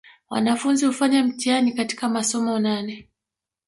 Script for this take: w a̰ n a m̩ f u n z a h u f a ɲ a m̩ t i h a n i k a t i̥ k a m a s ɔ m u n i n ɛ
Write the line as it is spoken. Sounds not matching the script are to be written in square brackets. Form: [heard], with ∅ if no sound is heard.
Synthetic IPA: w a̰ n a [∅] f u n z [i] h u f a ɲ a m̩ t i [∅] a n i k a t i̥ k a m a s ɔ m [ɔ] n [a] n ɛ